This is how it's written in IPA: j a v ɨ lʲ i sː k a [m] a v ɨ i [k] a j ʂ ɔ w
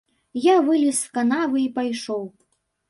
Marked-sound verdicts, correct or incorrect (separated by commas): incorrect, incorrect